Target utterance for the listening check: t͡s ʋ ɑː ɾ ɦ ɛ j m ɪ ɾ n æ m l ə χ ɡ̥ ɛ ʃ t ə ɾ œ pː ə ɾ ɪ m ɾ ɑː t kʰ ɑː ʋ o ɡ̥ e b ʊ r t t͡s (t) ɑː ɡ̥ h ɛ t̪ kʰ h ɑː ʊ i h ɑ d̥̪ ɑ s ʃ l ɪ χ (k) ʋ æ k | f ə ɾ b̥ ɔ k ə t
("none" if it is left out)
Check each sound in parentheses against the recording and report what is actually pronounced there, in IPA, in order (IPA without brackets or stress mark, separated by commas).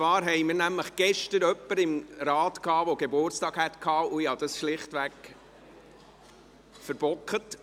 t, t